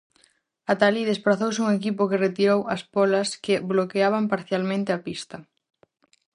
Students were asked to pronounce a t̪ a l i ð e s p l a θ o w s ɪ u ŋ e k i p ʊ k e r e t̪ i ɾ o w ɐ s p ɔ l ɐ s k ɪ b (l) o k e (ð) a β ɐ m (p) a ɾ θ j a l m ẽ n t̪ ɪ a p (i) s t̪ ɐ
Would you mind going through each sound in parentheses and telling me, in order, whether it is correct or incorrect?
correct, incorrect, correct, correct

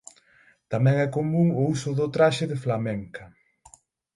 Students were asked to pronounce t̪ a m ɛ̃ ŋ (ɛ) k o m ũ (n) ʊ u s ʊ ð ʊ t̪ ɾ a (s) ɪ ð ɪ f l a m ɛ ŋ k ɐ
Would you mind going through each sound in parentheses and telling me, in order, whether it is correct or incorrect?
correct, incorrect, incorrect

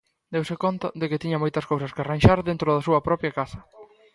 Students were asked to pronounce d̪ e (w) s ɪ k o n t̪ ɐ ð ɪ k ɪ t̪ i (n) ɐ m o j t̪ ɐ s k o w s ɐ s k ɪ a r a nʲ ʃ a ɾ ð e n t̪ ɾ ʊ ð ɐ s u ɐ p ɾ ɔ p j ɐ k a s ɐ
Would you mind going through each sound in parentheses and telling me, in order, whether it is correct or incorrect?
correct, incorrect

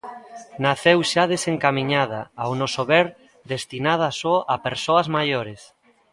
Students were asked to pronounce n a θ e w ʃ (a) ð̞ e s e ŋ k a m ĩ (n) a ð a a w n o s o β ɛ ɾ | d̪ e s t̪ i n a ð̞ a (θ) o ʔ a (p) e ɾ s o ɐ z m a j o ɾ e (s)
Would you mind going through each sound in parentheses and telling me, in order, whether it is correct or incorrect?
correct, incorrect, incorrect, correct, correct

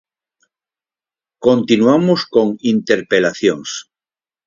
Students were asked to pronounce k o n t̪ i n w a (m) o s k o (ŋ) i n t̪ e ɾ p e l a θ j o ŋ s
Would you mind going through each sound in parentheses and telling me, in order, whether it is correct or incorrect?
correct, correct

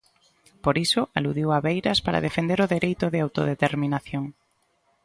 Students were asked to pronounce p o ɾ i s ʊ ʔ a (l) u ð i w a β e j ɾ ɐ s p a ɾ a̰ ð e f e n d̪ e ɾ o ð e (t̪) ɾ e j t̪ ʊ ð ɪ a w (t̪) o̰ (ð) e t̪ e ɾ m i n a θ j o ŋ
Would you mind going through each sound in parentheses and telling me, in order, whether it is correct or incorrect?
correct, incorrect, correct, correct

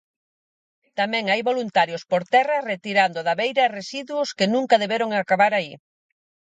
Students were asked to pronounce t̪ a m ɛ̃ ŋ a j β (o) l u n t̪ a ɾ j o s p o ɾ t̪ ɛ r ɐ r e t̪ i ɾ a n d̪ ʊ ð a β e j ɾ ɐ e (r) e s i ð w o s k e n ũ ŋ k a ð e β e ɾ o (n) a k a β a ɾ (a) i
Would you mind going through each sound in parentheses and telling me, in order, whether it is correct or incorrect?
correct, correct, incorrect, correct

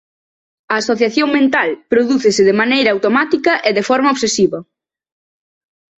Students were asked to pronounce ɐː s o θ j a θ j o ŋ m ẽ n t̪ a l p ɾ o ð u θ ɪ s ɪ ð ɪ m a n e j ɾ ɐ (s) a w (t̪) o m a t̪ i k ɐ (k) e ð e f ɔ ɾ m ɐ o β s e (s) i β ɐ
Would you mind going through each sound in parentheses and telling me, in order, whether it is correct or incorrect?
incorrect, correct, incorrect, correct

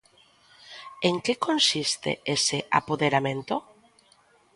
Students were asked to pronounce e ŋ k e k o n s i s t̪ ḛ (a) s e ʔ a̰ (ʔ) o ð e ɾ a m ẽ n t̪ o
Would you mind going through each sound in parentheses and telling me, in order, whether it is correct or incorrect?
incorrect, incorrect

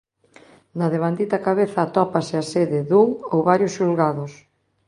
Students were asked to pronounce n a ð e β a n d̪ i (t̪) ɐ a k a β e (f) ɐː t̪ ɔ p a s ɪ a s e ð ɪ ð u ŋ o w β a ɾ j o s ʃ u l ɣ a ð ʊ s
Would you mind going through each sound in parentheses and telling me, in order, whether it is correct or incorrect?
correct, incorrect

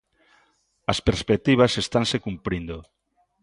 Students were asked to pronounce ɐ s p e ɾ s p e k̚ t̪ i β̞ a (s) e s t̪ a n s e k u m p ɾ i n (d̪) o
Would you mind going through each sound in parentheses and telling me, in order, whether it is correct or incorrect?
correct, correct

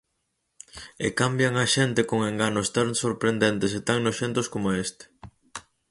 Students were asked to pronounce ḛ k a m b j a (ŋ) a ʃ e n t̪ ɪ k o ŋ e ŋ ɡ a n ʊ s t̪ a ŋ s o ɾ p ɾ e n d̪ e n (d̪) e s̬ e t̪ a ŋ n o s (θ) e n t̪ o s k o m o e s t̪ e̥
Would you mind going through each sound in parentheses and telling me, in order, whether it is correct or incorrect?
correct, incorrect, incorrect

